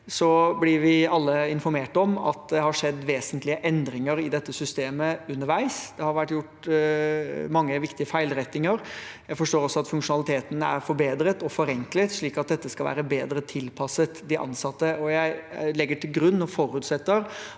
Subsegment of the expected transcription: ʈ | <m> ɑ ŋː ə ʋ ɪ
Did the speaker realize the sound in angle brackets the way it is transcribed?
yes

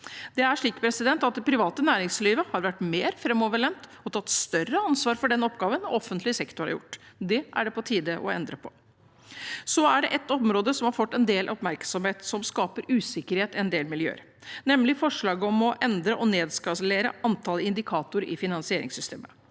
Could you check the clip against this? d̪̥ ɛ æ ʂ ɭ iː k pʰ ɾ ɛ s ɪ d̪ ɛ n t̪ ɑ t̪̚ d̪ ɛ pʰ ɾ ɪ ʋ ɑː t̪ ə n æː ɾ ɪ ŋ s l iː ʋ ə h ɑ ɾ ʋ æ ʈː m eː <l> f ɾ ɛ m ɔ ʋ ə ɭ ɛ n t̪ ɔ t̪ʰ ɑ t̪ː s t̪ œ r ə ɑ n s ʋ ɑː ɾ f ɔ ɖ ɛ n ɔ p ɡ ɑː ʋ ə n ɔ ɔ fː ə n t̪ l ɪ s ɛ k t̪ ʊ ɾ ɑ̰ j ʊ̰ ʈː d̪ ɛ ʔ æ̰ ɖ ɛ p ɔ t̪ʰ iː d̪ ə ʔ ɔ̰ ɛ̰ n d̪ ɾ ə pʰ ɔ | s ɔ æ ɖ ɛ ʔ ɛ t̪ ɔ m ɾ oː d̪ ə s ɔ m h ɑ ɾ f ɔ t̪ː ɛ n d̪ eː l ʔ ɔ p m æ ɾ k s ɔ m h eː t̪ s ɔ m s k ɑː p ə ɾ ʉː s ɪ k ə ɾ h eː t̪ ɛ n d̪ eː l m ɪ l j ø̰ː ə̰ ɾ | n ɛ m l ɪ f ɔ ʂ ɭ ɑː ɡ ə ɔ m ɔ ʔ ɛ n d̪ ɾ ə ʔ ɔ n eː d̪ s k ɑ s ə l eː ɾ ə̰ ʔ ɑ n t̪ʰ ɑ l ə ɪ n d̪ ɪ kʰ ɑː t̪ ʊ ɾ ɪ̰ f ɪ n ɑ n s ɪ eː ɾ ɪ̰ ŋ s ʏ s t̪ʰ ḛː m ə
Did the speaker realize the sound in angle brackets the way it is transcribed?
no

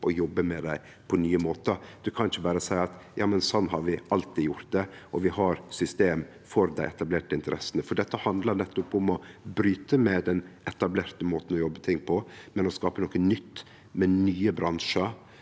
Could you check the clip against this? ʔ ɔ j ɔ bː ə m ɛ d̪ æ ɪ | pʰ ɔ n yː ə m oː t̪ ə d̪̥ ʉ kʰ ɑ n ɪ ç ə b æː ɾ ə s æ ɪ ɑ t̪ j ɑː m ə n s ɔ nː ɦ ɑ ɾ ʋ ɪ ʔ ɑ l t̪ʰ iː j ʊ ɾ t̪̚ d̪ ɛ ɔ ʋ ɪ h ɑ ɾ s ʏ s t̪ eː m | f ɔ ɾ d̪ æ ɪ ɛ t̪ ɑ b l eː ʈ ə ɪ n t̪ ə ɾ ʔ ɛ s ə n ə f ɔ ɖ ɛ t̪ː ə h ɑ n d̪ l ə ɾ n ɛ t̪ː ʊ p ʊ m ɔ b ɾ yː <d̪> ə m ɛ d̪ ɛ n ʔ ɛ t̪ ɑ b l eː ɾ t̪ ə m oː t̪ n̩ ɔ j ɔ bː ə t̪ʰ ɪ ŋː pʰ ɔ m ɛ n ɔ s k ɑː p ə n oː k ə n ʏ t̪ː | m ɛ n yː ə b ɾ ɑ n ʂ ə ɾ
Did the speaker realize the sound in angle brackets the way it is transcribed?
no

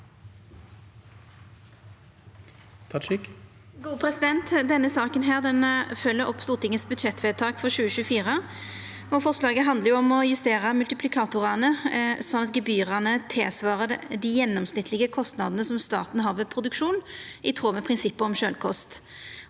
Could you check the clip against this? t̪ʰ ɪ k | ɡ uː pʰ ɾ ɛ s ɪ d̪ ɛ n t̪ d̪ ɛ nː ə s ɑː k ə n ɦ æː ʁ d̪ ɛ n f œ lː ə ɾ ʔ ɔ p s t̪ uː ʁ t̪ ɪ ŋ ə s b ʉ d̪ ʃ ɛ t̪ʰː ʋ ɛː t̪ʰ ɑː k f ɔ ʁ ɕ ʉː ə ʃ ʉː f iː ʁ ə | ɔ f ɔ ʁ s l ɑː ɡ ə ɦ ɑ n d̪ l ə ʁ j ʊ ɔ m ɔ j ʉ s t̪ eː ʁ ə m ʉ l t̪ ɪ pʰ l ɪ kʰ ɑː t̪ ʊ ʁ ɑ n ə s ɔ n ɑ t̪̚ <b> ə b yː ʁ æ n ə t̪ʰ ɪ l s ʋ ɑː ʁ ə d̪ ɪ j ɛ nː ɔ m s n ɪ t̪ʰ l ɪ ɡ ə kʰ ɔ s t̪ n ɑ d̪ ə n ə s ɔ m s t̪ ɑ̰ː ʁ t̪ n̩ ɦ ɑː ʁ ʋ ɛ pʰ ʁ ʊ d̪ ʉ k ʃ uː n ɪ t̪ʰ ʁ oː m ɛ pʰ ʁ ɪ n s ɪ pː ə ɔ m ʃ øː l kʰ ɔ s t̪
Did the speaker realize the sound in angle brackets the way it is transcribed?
no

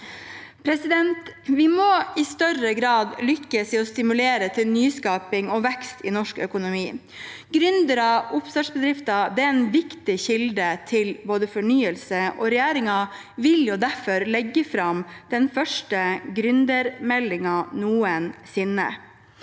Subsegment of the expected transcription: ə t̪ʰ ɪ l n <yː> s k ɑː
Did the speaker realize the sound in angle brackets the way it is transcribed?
yes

